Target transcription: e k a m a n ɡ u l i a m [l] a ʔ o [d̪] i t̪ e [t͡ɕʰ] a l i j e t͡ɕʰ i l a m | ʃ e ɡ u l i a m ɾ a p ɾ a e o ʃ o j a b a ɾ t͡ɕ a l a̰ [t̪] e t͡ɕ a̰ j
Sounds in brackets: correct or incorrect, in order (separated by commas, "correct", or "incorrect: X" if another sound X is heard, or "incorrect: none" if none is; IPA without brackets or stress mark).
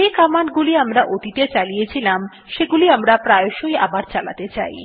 incorrect: ɾ, incorrect: t̪, incorrect: t͡ɕ, correct